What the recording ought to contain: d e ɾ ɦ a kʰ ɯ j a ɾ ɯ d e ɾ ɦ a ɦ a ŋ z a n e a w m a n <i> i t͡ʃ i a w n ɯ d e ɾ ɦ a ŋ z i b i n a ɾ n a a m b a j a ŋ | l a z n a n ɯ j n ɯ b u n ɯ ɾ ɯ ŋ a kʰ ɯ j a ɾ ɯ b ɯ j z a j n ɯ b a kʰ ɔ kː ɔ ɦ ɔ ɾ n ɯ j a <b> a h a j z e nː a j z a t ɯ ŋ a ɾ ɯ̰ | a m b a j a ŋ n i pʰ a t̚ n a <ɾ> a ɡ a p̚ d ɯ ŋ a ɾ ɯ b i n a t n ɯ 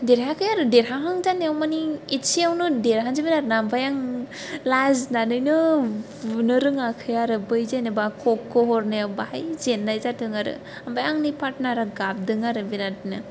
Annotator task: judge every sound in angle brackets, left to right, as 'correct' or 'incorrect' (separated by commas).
correct, correct, correct